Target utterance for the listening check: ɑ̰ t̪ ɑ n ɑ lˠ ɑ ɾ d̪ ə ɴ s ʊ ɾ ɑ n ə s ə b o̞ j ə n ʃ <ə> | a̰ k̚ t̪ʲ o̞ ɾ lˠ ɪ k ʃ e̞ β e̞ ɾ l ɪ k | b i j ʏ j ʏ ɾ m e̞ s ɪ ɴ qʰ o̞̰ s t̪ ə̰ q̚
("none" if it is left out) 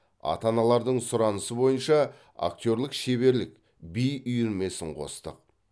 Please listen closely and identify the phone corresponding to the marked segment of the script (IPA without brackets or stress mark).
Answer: ɑ